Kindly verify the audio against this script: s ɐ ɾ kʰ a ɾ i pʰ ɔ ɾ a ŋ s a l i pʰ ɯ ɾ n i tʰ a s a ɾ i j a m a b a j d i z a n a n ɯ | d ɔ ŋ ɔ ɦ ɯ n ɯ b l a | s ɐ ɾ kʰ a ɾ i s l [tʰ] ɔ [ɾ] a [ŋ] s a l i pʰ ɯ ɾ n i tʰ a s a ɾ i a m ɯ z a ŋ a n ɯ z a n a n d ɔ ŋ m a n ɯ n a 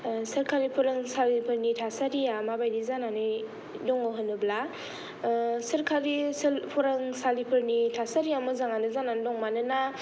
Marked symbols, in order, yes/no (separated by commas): no, yes, yes